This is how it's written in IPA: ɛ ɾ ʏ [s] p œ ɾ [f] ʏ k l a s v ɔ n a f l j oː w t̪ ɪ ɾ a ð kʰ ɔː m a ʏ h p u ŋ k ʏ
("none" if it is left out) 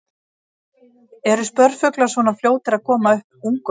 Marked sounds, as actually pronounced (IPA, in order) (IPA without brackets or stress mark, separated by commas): s, f